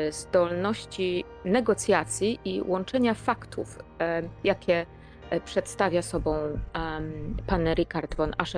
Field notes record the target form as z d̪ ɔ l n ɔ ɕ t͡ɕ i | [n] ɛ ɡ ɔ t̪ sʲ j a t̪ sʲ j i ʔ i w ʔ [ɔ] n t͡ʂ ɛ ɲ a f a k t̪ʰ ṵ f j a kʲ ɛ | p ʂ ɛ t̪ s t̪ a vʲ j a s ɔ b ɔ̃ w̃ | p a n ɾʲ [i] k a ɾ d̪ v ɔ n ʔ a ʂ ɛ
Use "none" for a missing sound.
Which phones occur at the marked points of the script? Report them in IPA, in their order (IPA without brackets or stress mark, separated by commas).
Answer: n, ɔ, i